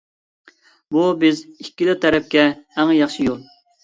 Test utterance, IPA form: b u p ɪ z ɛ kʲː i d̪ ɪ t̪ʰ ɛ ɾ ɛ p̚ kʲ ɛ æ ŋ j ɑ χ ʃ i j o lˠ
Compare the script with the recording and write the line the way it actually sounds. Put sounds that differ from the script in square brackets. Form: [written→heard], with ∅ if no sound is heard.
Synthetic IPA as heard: b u [p→b] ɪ z [ɛ→i] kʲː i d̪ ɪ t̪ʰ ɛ ɾ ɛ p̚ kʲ ɛ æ ŋ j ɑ χ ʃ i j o lˠ

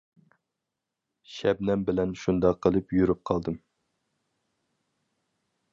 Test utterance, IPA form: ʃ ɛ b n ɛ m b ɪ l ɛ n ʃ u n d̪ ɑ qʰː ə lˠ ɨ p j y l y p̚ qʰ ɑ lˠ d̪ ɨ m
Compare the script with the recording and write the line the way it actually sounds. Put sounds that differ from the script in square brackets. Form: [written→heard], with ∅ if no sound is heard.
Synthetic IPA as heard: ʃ ɛ b n ɛ m b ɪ l ɛ n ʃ u n d̪ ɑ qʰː ə lˠ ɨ p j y [l→ɾ] y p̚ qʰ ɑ lˠ d̪ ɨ m

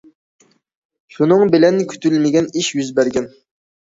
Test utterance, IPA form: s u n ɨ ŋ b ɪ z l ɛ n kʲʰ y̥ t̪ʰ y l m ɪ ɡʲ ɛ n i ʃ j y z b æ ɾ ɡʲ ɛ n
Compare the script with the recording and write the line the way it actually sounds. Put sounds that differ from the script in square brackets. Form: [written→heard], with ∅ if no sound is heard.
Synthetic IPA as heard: [s→ʃ] u n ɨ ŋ b ɪ [z→∅] l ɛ n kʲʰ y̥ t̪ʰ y l m ɪ ɡʲ ɛ n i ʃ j y z b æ ɾ ɡʲ ɛ n

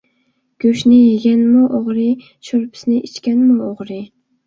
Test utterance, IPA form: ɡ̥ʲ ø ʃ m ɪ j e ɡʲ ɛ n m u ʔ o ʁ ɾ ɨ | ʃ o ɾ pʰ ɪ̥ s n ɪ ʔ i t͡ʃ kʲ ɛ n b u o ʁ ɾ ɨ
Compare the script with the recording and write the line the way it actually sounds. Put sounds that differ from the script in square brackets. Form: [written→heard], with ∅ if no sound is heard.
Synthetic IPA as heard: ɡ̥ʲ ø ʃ [m→n] ɪ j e ɡʲ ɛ n m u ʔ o ʁ ɾ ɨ | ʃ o ɾ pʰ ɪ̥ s n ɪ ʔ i t͡ʃ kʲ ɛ n [b→m] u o ʁ ɾ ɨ

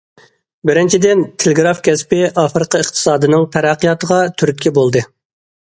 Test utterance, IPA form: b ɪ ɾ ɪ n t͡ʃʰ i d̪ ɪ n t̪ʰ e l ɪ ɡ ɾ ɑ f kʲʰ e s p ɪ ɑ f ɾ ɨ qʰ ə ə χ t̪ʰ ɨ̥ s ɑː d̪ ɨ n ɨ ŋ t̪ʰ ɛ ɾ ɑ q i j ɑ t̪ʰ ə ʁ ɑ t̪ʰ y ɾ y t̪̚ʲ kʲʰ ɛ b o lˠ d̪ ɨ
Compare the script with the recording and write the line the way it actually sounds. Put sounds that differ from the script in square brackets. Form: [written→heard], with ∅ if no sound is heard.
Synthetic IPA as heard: b ɪ ɾ ɪ n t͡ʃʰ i d̪ ɪ n t̪ʰ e l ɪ ɡ ɾ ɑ f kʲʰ [e→ɛ] s p ɪ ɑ f ɾ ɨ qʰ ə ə χ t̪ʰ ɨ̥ s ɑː d̪ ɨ n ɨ ŋ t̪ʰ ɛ ɾ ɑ q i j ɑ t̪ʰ ə ʁ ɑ t̪ʰ y ɾ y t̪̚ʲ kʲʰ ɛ b o lˠ d̪ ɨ

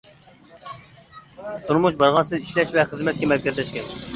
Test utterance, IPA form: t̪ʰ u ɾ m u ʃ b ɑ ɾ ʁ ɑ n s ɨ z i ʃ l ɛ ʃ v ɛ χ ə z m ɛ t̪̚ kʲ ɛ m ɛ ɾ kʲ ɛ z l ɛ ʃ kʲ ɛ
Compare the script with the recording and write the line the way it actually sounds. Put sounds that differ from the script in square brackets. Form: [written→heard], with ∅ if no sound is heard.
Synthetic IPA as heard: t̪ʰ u ɾ m u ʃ b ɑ ɾ ʁ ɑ n s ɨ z i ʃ l ɛ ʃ v ɛ χ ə z m ɛ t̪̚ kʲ ɛ m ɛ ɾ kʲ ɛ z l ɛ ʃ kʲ ɛ

